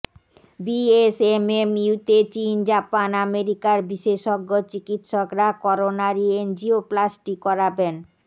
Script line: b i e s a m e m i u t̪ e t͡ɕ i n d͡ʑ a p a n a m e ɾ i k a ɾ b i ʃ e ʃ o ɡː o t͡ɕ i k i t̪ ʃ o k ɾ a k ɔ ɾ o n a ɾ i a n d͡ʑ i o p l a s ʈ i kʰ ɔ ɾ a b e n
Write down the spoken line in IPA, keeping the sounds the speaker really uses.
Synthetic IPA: b i e s e m e m i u t̪ e t͡ɕ i n d͡ʑ a p a n a m e ɾ i k a ɾ b i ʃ e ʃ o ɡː o t͡ɕ i k i t̪ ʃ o k ɾ a k ɔ ɾ o n a ɾ i e n d͡ʑ i o p l a s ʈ i k ɔ ɾ a b e n